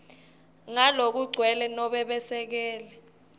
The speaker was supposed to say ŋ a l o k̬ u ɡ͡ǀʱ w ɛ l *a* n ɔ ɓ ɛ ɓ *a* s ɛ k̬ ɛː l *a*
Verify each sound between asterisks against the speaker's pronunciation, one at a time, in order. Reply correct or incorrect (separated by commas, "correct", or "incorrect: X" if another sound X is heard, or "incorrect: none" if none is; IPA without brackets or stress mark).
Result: incorrect: ɛ, incorrect: ɛ, incorrect: ɛ